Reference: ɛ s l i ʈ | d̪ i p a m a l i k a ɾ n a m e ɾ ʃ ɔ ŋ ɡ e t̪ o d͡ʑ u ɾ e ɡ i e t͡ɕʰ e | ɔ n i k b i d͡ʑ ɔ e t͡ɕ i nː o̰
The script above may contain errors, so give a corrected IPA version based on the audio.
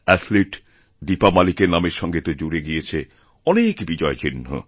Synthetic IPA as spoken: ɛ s l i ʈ | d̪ i p a m a l i k e ɾ n a m e ɾ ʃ ɔ ŋ ɡ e t̪ o d͡ʑ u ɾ e ɡ i e t͡ɕʰ e | ɔ n e k b i d͡ʑ ɔ e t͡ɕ i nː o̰